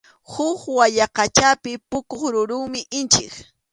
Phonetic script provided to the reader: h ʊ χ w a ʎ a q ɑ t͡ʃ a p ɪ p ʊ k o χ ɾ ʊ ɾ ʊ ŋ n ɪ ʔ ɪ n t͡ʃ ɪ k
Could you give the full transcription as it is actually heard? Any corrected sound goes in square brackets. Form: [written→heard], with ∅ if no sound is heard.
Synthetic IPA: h ʊ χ w a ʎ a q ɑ t͡ʃ a p ɪ p ʊ k o χ ɾ ʊ ɾ ʊ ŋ [n→m] ɪ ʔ ɪ n t͡ʃ ɪ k